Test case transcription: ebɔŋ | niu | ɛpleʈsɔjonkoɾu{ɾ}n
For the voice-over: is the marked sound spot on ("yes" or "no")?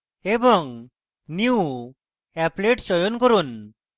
no